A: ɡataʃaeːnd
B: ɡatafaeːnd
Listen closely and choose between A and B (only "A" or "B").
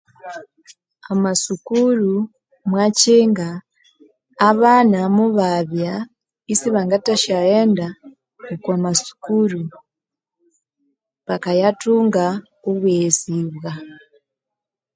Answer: A